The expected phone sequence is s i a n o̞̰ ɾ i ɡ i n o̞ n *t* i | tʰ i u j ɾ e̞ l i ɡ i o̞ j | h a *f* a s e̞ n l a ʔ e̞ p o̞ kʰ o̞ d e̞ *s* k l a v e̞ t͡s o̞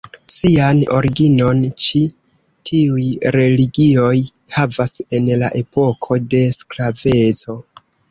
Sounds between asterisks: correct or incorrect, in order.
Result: incorrect: t͡ʃ, incorrect: v, correct

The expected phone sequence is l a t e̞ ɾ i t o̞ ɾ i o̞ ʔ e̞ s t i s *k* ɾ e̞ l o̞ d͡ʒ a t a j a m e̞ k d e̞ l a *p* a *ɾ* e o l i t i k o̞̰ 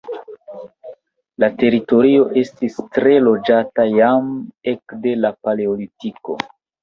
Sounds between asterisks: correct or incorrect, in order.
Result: incorrect: t, correct, incorrect: l

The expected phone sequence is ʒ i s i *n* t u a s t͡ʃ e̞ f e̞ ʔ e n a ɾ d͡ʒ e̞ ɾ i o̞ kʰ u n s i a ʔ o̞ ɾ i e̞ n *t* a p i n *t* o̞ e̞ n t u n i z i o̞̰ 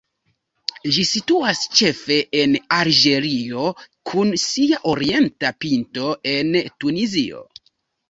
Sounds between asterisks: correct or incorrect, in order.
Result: incorrect: none, correct, correct

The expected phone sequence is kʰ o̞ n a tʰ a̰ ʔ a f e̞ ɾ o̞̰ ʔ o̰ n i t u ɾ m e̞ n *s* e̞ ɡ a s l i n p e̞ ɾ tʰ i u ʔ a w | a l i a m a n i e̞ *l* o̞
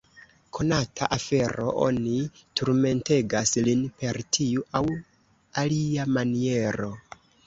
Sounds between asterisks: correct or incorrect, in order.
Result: incorrect: t, incorrect: ɾ

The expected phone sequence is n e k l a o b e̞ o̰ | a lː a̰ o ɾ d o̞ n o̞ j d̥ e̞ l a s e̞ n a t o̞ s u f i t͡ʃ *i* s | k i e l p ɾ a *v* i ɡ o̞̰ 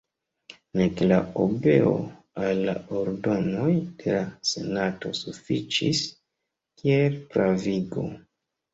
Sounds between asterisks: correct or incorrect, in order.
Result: correct, correct

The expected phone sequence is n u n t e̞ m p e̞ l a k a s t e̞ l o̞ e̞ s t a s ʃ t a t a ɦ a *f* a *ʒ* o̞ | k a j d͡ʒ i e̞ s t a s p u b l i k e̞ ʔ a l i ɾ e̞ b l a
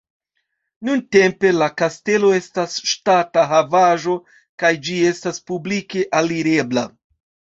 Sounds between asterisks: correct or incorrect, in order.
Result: incorrect: v, correct

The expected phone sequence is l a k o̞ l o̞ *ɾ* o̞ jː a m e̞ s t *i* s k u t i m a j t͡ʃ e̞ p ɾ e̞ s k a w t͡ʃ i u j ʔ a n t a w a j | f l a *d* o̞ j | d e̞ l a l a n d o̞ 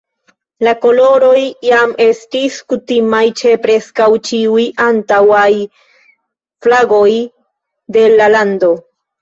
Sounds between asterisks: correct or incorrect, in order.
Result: correct, correct, incorrect: ɡ

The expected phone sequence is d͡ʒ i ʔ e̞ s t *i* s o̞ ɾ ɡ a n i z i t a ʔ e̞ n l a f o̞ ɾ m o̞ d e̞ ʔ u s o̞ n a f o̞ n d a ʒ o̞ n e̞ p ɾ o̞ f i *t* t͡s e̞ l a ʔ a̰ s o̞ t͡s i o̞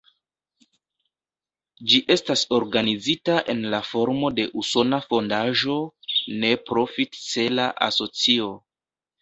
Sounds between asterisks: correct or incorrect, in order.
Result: incorrect: a, correct

